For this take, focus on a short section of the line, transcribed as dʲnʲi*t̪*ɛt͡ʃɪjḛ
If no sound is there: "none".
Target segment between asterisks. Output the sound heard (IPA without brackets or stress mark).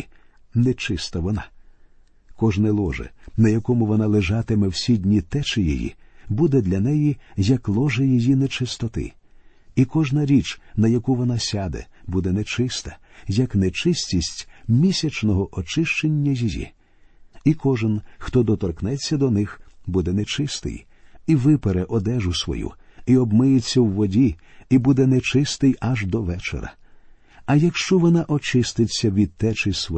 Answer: t̪